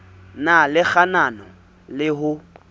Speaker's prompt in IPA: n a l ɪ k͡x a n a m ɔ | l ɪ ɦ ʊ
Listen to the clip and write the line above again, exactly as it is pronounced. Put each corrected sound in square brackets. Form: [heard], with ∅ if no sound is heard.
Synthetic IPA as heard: n a l ɪ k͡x a n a [n] ɔ | l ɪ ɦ ʊ